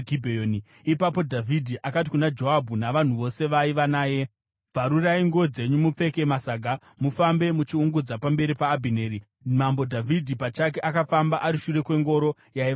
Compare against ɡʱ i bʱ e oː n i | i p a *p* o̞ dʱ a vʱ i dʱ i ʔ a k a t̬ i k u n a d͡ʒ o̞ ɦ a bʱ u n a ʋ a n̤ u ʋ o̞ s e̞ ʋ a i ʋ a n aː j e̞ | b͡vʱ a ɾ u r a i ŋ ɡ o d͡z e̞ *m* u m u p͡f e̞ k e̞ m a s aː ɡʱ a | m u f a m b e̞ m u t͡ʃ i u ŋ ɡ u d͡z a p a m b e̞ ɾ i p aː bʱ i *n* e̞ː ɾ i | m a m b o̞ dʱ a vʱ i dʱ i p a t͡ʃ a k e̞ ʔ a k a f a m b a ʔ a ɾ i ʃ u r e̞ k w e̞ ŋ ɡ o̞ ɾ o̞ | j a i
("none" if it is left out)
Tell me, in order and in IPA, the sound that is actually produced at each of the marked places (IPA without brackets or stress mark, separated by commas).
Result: p, ɲ, n